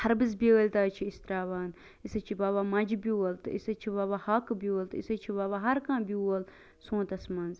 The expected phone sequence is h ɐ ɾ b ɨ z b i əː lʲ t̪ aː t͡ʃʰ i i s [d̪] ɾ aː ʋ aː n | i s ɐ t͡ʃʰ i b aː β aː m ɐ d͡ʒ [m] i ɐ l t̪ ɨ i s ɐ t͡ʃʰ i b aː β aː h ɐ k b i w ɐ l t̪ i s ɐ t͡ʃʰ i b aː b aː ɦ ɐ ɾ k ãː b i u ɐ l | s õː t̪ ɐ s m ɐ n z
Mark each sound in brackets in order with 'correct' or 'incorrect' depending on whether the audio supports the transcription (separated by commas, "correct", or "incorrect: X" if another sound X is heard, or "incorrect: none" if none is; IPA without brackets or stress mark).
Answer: incorrect: t̪, incorrect: b